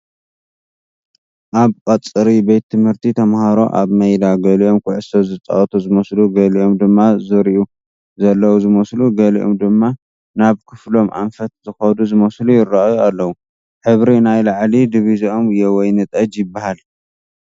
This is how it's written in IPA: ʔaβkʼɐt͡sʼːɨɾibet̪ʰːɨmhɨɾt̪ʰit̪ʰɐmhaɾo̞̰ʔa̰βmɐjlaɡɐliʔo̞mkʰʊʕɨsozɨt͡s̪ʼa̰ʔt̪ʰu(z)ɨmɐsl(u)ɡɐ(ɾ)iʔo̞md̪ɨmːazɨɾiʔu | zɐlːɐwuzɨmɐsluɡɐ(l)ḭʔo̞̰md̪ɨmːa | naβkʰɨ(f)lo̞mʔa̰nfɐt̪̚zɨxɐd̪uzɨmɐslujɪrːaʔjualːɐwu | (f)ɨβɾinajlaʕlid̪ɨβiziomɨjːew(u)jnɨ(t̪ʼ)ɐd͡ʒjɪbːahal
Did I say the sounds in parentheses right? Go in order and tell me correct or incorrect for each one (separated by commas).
correct, correct, incorrect, correct, correct, incorrect, incorrect, correct